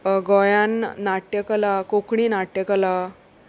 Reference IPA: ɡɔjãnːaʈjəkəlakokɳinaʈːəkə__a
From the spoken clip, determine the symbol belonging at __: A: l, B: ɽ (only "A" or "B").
A